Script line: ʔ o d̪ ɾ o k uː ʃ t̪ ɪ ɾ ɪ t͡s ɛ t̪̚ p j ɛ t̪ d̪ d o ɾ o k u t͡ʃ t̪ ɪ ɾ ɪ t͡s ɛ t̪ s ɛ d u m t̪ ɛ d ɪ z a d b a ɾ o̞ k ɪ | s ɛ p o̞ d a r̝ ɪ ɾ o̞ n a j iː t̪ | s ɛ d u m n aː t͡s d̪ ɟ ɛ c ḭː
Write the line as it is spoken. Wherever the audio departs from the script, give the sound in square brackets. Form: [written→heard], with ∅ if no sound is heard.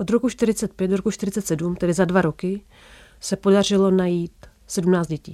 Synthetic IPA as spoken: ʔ o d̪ ɾ o k [uː→u] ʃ t̪ ɪ ɾ ɪ t͡s ɛ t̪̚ p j ɛ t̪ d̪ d o ɾ o k u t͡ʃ t̪ ɪ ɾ ɪ t͡s ɛ t̪ s ɛ d u m t̪ ɛ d ɪ z a d [b→v] a ɾ o̞ k ɪ | s ɛ p o̞ d a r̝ ɪ [ɾ→l] o̞ n a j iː t̪ | s ɛ d u m n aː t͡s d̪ ɟ ɛ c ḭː